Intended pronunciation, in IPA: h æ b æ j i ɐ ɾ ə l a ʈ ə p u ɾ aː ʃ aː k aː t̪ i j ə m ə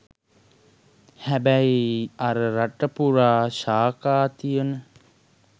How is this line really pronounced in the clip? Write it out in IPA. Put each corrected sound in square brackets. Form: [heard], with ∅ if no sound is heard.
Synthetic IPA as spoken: h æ b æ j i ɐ ɾ ə [ɾ] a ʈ ə p u ɾ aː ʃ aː k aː t̪ i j ə [n] ə